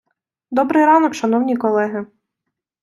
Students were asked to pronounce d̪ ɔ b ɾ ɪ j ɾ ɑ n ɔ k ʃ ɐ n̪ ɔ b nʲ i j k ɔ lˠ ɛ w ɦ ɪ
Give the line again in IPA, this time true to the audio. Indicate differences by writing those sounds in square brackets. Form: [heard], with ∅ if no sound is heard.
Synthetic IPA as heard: d̪ ɔ b ɾ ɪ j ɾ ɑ n ɔ k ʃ ɐ n̪ ɔ [w] nʲ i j k ɔ lˠ ɛ [∅] ɦ ɪ

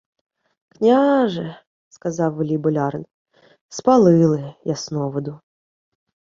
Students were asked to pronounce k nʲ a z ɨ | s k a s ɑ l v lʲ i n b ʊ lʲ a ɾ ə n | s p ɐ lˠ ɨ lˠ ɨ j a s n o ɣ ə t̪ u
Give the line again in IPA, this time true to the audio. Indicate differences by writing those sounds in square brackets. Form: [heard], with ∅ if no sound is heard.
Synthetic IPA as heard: k nʲ a [ʐ] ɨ | s k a [z] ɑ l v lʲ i [∅] b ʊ lʲ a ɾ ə n | s p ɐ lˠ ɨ lˠ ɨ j a s n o [v] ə [d̪] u

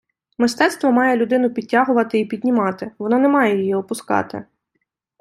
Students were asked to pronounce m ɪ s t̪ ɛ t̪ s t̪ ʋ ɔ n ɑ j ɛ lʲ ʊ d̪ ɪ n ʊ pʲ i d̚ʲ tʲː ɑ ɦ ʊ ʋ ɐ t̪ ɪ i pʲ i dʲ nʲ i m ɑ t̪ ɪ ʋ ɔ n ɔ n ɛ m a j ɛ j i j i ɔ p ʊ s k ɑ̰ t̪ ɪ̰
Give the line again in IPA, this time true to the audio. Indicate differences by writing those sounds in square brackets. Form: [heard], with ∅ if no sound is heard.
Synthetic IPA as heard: m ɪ s t̪ ɛ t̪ s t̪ ʋ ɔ [m] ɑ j ɛ lʲ ʊ d̪ ɪ n ʊ pʲ i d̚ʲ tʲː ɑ ɦ ʊ ʋ ɐ t̪ ɪ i pʲ i dʲ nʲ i m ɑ t̪ ɪ ʋ ɔ n ɔ n ɛ m [ɑ] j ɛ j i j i ɔ p ʊ s k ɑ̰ t̪ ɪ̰

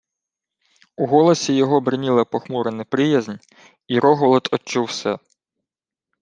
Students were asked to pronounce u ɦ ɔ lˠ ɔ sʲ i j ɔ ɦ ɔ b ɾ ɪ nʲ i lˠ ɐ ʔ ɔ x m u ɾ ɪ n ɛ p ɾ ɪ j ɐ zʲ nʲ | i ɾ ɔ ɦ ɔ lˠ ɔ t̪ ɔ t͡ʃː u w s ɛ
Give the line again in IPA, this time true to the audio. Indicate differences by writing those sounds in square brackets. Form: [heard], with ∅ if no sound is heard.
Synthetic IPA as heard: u ɦ ɔ lˠ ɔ sʲ i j ɔ ɦ ɔ b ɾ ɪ nʲ i lˠ ɐ [p] ɔ x m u ɾ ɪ n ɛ p ɾ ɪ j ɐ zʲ nʲ | i ɾ ɔ ɦ ɔ lˠ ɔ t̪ ɔ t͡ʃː u w s ɛ

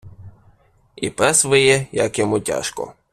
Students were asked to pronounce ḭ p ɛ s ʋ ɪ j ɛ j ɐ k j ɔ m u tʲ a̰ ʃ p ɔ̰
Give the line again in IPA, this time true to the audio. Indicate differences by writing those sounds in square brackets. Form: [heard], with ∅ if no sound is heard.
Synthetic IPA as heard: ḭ p ɛ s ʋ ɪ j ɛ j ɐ k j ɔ m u tʲ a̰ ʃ [k] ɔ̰

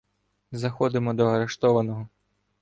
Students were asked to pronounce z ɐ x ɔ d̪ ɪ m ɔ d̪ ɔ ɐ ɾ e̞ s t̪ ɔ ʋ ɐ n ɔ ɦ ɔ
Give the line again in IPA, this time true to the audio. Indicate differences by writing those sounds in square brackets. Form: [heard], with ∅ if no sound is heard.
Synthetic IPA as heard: z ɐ x ɔ d̪ ɪ m ɔ d̪ ɔ ɐ ɾ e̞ [ʃ] t̪ ɔ ʋ ɐ n ɔ ɦ ɔ

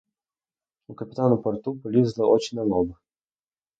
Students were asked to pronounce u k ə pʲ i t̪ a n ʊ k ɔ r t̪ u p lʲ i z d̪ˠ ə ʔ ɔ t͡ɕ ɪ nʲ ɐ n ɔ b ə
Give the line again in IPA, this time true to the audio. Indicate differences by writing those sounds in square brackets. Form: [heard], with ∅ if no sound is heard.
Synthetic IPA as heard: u k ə pʲ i t̪ a n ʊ [p] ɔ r t̪ u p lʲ i z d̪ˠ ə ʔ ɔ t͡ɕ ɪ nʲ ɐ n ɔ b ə

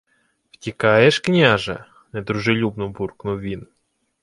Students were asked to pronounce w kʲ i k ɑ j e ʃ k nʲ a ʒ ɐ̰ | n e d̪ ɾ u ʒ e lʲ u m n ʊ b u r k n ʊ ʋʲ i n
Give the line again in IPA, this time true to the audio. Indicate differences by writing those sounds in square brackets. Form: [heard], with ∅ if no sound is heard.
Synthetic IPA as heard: w [tʲ] i k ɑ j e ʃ k nʲ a ʒ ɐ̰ | n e d̪ ɾ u ʒ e lʲ u [b] n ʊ b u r k n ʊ ʋʲ i n

